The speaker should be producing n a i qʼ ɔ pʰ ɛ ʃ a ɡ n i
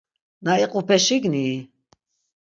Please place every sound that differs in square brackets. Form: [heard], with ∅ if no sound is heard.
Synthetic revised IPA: n a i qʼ [u] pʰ ɛ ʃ [i] ɡ n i